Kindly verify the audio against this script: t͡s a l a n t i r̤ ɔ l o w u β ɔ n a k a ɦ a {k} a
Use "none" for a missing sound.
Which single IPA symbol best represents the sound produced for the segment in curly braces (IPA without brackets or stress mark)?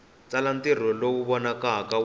k